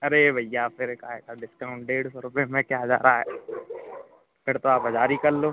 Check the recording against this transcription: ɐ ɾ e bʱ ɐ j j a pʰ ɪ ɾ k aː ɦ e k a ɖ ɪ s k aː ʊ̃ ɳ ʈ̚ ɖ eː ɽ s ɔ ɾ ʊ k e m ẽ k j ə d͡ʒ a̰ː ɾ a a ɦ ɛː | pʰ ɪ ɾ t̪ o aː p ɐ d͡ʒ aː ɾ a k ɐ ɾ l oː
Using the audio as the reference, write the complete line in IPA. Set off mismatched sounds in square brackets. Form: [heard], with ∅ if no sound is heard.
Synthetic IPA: ɐ ɾ e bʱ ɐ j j a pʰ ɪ ɾ k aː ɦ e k a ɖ ɪ s k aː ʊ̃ ɳ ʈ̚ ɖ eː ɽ s ɔ ɾ ʊ [p] e m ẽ k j [a] d͡ʒ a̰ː ɾ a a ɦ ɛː | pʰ ɪ ɾ t̪ o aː p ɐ d͡ʒ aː ɾ [i] k ɐ ɾ l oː

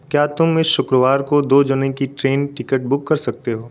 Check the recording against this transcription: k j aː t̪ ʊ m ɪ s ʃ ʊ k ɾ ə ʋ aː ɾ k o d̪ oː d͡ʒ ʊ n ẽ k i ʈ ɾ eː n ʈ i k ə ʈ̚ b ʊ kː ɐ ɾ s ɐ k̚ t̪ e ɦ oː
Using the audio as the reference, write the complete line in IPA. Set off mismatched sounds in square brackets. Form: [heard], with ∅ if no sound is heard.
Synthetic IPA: k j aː t̪ ʊ m ɪ s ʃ ʊ k ɾ ə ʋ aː ɾ k o d̪ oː d͡ʒ ʊ n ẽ k i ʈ ɾ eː n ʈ [ɪ] k ə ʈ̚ b ʊ kː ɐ ɾ s ɐ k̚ t̪ e ɦ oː

